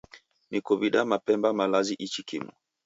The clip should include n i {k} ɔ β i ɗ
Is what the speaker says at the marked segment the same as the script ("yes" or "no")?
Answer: yes